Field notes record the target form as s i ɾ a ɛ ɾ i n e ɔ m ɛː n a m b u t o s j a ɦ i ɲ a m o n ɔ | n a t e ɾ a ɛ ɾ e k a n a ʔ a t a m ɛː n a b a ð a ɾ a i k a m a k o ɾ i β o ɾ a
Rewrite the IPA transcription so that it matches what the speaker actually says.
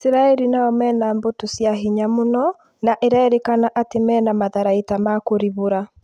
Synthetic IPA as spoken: s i ɾ a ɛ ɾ i n a ɔ m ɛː n a m b o t o s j a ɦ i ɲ a m o n ɔ | n a ʔ e ɾ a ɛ ɾ e k a n a ʔ a t e m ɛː n a m a ð a ɾ a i t a m a k o ɾ i β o ɾ a